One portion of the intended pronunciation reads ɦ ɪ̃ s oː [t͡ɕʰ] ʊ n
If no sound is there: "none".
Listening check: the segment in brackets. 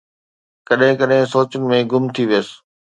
t͡ɕ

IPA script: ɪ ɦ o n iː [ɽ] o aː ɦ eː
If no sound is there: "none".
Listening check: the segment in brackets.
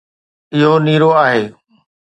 ɾ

